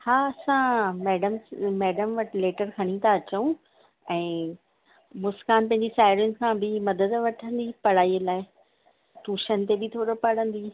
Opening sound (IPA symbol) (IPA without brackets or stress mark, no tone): h